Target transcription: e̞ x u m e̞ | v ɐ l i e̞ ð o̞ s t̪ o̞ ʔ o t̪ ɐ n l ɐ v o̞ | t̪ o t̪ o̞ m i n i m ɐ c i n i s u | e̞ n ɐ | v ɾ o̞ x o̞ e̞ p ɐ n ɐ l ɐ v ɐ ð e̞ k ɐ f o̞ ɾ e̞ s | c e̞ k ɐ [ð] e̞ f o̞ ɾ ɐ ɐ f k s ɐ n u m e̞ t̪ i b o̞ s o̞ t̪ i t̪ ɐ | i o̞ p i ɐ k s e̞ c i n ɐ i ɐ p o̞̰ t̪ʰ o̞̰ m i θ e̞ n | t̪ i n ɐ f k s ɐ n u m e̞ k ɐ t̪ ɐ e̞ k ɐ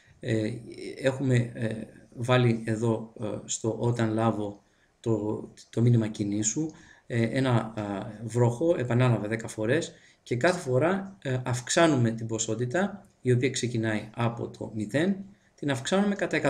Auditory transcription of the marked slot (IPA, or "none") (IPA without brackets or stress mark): θ